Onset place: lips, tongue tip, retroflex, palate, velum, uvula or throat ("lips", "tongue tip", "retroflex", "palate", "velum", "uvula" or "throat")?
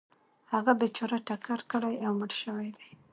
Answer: throat